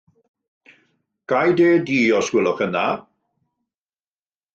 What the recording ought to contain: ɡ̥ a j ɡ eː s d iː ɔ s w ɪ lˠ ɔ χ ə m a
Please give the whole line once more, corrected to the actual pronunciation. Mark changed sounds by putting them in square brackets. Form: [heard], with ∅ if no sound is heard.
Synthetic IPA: ɡ̥ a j [d] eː [∅] d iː ɔ s w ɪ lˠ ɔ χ ə [n] a